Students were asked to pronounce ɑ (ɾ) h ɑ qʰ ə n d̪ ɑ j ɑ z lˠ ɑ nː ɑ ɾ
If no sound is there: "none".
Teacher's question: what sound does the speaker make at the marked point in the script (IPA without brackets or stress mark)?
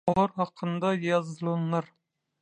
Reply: ɾ